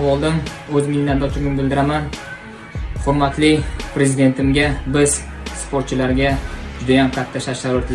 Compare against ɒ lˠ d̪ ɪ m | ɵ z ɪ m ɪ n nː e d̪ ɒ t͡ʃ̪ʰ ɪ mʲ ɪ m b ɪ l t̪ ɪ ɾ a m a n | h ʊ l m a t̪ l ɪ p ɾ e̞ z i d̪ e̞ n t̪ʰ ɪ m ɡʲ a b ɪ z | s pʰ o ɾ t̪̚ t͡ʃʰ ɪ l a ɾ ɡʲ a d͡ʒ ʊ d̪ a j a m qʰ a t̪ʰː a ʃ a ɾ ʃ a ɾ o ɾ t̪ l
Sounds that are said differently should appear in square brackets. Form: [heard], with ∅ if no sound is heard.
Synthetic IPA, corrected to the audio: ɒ lˠ d̪ ɪ m | ɵ z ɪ m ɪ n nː [a] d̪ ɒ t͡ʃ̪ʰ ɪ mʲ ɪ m b ɪ l [d̪] ɪ ɾ a m a n | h ʊ [ɾ] m a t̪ l ɪ p ɾ e̞ z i d̪ e̞ n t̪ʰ ɪ m ɡʲ a b ɪ z | s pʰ o ɾ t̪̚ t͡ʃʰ ɪ l a ɾ ɡʲ a d͡ʒ ʊ d̪ a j a m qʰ a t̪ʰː a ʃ a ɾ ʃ a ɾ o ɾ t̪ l